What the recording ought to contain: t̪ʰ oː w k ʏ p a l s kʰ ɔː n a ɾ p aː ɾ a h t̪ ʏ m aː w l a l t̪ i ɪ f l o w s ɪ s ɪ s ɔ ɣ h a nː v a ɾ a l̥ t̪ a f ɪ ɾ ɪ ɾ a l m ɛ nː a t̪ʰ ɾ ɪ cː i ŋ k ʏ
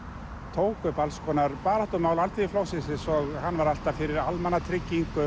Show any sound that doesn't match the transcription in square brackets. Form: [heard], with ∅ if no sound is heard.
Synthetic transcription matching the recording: t̪ʰ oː w k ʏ p a l s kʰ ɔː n a ɾ p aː ɾ a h t̪ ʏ m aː w l a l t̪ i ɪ f l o w s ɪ s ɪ s ɔ ɣ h a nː v a ɾ a l̥ t̪ a f ɪ ɾ ɪ ɾ a l m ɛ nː a t̪ʰ ɾ ɪ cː i ŋ k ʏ